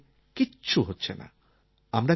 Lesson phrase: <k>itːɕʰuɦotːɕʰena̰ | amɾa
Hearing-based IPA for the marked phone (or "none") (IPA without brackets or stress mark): k